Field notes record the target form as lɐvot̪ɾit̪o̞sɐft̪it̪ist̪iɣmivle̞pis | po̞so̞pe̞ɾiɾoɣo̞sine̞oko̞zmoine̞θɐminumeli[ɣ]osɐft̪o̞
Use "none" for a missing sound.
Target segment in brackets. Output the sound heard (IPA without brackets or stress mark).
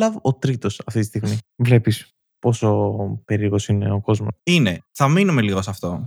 ɣ